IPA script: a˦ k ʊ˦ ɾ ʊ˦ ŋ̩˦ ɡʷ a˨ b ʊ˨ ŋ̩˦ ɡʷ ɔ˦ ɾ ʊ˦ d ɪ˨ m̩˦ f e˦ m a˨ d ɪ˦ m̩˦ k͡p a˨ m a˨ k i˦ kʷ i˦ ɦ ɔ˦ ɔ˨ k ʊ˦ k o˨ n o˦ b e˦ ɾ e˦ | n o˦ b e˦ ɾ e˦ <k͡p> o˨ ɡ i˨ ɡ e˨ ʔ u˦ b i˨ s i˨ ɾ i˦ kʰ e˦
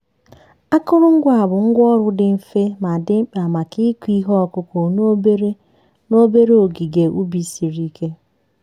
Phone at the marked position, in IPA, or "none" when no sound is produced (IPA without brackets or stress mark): none